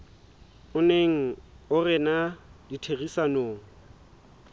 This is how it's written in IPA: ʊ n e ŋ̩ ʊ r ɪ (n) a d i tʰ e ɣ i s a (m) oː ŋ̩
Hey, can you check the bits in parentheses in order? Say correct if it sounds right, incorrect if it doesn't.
correct, incorrect

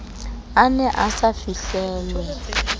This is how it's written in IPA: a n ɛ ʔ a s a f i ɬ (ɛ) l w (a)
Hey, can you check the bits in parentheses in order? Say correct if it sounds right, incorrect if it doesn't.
incorrect, incorrect

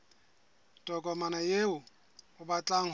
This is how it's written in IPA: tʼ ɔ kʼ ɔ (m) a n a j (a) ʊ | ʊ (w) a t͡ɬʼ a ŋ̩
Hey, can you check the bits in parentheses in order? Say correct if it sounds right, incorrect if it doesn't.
correct, incorrect, incorrect

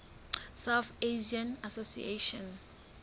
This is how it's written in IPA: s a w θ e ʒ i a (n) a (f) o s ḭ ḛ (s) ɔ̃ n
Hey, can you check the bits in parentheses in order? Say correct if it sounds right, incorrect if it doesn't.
correct, incorrect, incorrect

